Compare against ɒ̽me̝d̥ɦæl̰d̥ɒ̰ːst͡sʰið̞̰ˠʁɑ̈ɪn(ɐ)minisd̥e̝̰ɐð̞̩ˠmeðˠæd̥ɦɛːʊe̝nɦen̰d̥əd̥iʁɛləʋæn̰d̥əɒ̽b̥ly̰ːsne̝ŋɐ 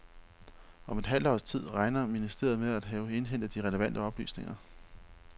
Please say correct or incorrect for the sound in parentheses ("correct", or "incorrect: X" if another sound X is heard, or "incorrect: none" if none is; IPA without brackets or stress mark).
correct